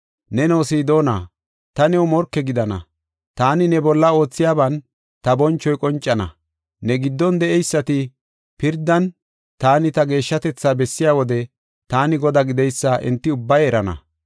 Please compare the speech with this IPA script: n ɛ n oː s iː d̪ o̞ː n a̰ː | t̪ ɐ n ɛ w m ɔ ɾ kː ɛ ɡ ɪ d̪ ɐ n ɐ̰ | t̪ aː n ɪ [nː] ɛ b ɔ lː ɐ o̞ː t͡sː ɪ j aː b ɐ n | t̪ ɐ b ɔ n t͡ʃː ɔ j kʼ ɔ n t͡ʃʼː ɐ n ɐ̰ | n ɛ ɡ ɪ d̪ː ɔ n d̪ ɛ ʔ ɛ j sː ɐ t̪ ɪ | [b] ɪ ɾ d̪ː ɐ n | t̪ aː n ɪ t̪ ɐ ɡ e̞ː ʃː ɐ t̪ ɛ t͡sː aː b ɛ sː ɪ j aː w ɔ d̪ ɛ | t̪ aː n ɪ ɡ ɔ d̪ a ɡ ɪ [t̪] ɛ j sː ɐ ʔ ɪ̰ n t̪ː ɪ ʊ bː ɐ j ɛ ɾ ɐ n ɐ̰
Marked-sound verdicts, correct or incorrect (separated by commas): incorrect, incorrect, incorrect